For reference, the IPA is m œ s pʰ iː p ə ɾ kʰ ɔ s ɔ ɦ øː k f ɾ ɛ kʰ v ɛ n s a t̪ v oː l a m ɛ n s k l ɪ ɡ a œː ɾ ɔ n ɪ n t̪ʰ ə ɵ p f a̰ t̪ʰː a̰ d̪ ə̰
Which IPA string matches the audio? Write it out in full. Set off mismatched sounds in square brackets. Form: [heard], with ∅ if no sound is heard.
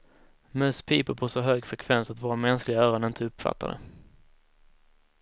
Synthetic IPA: m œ s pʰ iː p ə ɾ [pʰ] ɔ s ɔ ɦ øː [ɡ] f ɾ ɛ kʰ v ɛ n s a t̪ v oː [ɾ] a m ɛ n s k l ɪ ɡ a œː ɾ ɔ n ɪ n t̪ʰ ə ɵ p f a̰ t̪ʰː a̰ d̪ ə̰